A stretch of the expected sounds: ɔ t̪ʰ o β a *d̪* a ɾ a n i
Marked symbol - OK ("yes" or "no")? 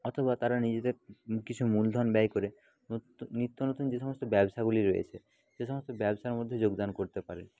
no